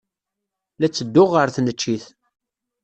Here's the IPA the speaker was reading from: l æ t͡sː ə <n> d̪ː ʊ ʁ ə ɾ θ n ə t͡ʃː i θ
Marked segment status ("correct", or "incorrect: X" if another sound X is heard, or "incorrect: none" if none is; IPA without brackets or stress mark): incorrect: none